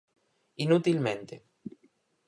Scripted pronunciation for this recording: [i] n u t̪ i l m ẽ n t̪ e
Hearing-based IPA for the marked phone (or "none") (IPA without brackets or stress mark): i